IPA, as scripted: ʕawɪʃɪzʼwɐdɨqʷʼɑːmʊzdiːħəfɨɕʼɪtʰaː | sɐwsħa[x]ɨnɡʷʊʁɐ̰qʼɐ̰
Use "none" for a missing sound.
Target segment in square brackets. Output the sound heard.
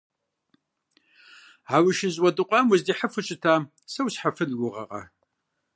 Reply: f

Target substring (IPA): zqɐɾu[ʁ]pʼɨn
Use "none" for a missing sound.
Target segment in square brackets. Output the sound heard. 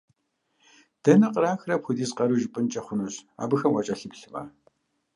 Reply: ʒ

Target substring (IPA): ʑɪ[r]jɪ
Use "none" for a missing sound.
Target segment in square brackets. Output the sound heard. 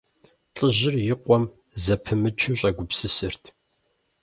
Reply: r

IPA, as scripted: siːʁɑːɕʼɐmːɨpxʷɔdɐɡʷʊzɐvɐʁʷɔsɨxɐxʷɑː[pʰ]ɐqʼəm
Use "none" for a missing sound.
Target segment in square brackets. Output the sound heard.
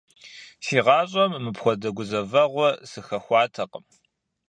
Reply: tʰ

